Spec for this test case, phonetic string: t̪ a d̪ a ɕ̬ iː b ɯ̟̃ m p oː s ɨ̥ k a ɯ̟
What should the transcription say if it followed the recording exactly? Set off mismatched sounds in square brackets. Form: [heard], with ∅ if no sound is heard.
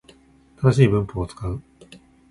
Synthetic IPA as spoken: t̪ a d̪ a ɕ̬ iː b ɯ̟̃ m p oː [t͡s] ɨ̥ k a ɯ̟